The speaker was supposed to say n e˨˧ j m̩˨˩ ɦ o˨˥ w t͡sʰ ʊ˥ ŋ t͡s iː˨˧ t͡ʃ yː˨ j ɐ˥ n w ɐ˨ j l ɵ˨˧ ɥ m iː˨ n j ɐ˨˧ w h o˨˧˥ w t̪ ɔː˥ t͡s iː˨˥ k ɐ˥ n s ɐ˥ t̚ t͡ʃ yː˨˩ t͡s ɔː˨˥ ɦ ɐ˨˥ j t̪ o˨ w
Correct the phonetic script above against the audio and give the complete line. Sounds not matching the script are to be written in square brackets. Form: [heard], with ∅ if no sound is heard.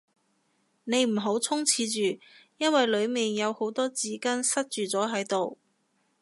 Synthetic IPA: n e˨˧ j m̩˨˩ ɦ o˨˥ w t͡sʰ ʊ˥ ŋ [t͡sʰ] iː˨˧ t͡ʃ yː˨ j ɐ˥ n w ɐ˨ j l ɵ˨˧ ɥ m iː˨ n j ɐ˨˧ w h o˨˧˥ w t̪ ɔː˥ t͡s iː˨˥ k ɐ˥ n s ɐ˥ t̚ t͡ʃ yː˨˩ t͡s ɔː˨˥ ɦ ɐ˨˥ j t̪ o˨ w